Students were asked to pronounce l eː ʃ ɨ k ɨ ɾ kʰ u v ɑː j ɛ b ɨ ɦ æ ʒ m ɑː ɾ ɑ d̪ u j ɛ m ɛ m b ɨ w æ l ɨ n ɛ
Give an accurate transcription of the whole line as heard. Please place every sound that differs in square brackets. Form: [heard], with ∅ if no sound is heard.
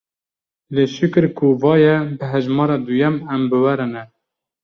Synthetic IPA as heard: l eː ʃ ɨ k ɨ ɾ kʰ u v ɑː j ɛ b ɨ ɦ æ ʒ m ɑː ɾ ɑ d̪ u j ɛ m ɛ m b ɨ w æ [ɾ] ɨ n ɛ

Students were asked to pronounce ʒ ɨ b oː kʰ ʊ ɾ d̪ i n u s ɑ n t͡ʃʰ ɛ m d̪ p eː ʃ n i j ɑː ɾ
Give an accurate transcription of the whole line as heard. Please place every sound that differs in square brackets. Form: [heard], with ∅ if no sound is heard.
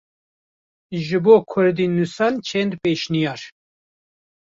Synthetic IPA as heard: ʒ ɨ b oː kʰ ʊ ɾ d̪ i n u s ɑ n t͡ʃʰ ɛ [n] d̪ p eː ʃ n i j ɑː ɾ

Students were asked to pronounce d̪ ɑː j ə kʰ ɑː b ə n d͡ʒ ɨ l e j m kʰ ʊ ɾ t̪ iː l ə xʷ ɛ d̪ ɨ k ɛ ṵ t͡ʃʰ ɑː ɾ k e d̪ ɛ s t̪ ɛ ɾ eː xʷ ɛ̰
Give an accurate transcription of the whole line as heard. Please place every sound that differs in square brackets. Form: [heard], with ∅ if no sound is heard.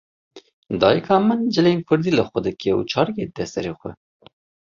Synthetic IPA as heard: d̪ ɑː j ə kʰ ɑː [m] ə n d͡ʒ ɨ l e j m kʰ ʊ ɾ [d̪] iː l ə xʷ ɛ d̪ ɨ k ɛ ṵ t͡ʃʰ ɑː ɾ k e d̪ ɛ s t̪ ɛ ɾ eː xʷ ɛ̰

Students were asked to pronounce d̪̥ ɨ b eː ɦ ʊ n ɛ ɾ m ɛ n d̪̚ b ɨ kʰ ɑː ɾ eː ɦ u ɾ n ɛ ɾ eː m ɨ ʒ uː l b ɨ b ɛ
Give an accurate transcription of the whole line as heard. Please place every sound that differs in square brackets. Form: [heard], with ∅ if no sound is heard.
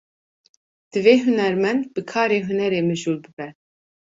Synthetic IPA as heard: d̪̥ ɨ [v] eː ɦ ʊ n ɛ ɾ m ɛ n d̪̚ b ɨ kʰ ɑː ɾ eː ɦ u [∅] n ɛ ɾ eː m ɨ ʒ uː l b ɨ b ɛ

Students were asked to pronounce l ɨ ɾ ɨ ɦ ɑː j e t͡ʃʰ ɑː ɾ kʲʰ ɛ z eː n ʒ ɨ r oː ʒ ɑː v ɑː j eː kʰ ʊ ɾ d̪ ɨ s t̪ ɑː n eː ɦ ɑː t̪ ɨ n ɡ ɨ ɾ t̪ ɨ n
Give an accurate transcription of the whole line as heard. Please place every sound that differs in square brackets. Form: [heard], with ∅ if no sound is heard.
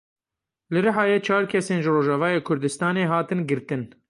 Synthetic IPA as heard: l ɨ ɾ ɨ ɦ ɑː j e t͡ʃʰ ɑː ɾ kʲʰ ɛ [s] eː n ʒ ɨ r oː ʒ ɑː v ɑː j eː kʰ ʊ ɾ d̪ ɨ s t̪ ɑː n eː ɦ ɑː t̪ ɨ n ɡ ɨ ɾ t̪ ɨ n

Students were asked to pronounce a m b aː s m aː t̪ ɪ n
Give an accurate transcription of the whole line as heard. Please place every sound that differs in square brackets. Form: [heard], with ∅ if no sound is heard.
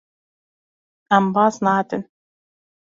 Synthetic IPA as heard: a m b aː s [n] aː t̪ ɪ n

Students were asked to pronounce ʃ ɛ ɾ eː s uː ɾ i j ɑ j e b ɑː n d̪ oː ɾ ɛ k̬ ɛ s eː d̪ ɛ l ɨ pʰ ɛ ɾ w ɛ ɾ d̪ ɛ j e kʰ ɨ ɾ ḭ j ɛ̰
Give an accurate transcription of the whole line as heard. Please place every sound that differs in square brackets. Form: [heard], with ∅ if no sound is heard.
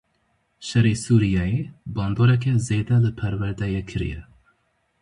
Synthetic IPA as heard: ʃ ɛ ɾ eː s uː ɾ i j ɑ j e b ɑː n d̪ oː ɾ ɛ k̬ ɛ [z] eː d̪ ɛ l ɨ pʰ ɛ ɾ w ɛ ɾ d̪ ɛ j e kʰ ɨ ɾ ḭ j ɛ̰

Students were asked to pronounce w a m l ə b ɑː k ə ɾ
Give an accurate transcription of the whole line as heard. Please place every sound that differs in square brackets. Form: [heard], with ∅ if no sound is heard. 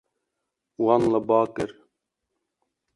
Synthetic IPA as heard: w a [n] l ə b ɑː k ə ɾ

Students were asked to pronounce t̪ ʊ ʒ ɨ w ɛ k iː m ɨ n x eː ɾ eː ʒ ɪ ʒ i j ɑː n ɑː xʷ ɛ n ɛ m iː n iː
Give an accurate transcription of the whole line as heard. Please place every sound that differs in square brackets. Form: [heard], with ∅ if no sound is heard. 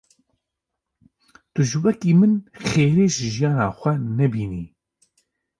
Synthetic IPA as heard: t̪ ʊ ʒ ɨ w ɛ k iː m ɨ n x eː ɾ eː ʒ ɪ ʒ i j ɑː n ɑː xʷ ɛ n ɛ [b] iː n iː

